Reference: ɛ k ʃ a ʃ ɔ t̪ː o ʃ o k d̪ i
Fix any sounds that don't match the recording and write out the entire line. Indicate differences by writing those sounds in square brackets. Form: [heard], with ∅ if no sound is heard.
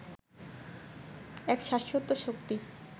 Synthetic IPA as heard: ɛ k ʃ a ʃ [o] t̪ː o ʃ o k [t̪] i